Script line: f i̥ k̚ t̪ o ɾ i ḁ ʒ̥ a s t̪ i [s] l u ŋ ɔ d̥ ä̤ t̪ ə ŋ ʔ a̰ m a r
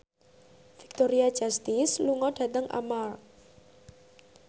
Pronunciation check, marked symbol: correct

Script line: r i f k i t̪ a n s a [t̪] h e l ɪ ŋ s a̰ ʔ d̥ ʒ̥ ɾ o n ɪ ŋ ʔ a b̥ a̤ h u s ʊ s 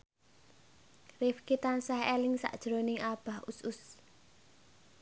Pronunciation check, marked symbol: incorrect: none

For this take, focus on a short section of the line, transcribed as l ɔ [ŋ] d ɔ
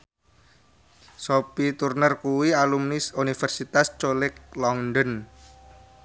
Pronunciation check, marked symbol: correct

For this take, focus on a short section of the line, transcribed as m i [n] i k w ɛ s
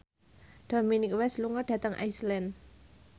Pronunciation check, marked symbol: correct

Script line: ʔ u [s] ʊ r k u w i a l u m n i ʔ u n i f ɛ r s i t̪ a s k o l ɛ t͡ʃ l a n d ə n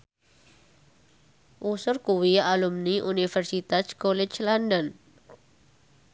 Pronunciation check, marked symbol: correct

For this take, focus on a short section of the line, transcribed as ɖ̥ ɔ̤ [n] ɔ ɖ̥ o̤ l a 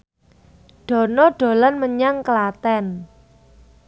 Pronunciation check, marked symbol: correct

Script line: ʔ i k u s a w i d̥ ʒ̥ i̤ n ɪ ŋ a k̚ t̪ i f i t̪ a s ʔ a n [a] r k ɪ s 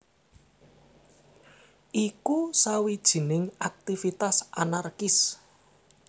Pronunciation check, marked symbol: correct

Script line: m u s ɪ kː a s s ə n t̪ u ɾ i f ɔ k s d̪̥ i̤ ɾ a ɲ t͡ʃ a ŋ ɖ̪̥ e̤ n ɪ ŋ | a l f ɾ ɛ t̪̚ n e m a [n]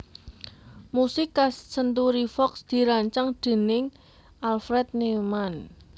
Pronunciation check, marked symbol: correct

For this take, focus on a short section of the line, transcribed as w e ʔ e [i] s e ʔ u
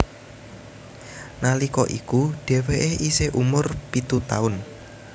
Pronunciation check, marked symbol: correct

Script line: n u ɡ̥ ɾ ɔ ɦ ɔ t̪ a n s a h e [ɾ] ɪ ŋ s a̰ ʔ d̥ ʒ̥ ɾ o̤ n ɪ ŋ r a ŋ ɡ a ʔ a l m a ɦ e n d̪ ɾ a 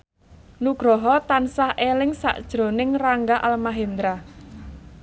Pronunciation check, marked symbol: incorrect: l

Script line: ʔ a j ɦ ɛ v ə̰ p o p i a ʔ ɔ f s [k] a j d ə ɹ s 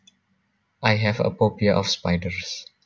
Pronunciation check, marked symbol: incorrect: p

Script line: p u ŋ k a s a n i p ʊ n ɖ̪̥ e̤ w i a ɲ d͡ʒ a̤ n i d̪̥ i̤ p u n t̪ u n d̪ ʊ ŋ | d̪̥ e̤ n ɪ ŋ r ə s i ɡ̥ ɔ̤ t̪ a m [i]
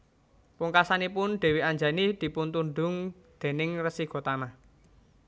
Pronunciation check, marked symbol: incorrect: a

